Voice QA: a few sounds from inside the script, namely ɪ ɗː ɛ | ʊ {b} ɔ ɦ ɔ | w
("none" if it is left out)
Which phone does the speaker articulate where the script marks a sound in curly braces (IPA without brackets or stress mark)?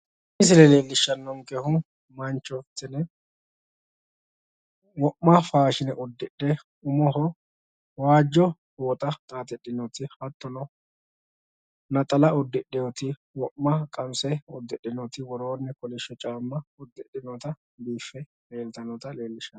m